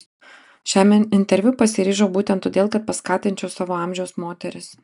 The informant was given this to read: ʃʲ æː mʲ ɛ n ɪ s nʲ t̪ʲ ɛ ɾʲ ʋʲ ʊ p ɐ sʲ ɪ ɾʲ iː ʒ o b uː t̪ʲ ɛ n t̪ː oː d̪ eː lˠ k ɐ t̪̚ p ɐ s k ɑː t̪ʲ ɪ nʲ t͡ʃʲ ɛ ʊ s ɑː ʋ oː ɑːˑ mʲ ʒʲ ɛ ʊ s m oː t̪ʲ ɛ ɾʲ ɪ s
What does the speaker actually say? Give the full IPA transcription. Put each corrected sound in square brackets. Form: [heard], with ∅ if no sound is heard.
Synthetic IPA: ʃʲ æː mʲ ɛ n ɪ [∅] nʲ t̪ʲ ɛ ɾʲ ʋʲ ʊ p ɐ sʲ ɪ ɾʲ iː ʒ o b uː t̪ʲ ɛ n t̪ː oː d̪ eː lˠ k ɐ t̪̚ p ɐ s k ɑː t̪ʲ ɪ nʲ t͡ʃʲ ɛ ʊ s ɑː ʋ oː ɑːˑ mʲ ʒʲ ɛ ʊ s m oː t̪ʲ ɛ ɾʲ ɪ s